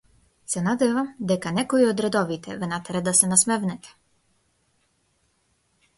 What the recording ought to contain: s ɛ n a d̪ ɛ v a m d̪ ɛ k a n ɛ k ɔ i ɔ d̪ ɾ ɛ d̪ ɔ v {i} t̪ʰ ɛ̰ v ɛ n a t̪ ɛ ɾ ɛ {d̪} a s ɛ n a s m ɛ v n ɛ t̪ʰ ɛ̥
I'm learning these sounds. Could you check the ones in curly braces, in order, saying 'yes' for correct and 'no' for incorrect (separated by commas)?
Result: yes, yes